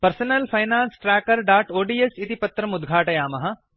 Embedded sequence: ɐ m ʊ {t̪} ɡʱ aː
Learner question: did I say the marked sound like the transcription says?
no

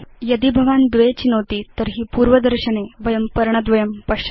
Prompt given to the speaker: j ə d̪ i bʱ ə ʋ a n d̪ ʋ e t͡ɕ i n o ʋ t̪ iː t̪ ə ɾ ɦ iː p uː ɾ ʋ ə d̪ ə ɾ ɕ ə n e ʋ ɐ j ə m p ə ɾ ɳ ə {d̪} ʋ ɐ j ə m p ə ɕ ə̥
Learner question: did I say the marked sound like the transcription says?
yes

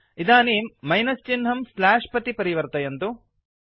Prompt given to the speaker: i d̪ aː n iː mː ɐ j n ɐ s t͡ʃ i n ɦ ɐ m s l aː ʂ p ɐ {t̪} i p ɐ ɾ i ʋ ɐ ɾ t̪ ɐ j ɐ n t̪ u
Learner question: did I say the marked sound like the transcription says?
yes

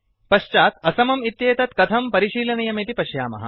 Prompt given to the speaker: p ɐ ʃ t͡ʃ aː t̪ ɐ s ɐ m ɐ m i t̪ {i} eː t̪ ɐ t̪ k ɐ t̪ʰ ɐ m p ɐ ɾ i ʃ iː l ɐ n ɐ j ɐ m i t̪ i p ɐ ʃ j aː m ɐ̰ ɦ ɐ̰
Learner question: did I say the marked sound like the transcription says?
no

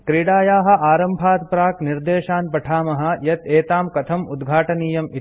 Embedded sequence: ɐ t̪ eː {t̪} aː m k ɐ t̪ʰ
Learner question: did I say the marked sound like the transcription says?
yes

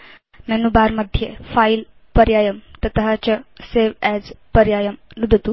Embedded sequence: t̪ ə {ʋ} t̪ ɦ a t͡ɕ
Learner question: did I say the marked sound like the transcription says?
no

